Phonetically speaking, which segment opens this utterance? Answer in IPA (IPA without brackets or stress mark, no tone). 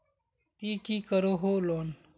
t̪